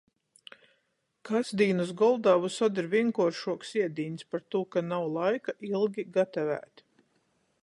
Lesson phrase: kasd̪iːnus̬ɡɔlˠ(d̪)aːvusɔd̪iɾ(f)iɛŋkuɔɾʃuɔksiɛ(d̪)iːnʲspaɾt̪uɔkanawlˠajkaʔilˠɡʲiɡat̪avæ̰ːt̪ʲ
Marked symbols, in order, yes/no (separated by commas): yes, no, yes